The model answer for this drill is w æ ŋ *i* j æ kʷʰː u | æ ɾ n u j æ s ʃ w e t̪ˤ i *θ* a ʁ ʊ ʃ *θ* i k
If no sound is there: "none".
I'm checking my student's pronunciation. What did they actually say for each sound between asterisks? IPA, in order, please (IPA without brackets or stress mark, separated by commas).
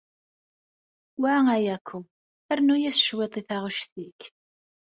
æ, θ, θ